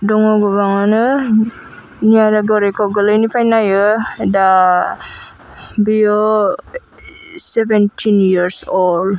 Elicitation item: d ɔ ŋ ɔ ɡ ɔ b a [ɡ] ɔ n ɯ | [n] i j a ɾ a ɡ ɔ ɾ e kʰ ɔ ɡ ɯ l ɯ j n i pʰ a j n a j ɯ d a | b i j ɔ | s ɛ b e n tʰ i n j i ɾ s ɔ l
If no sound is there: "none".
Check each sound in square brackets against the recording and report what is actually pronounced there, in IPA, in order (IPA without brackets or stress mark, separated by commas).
ŋ, n